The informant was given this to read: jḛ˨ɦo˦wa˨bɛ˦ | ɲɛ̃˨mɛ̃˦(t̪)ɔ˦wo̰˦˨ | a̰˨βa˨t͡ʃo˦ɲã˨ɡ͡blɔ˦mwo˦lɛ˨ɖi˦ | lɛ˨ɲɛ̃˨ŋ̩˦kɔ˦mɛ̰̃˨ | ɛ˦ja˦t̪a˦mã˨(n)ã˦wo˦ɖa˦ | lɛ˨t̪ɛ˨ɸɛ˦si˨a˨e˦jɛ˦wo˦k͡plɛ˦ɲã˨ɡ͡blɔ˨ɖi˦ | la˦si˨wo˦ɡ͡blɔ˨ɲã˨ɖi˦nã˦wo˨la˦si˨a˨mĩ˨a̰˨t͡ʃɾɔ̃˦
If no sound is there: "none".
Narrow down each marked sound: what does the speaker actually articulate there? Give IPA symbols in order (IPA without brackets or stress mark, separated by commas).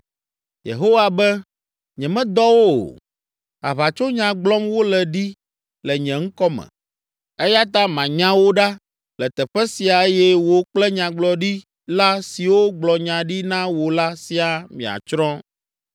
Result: d̪, ɲ